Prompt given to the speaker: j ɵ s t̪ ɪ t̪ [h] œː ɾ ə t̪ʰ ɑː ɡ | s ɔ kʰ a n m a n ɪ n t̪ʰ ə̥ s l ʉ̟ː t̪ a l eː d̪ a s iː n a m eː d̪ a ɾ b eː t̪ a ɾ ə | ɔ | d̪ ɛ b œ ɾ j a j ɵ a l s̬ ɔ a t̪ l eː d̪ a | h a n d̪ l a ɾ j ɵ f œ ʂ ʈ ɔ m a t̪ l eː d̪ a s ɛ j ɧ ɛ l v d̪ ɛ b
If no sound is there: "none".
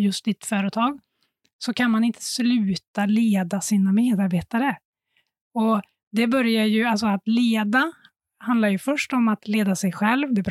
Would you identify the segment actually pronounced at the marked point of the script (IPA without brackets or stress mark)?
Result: f